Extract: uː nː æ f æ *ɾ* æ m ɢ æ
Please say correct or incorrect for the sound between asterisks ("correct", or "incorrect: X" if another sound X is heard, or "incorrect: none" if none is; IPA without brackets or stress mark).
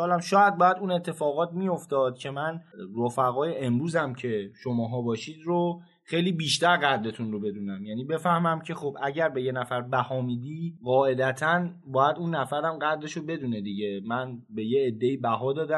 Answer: correct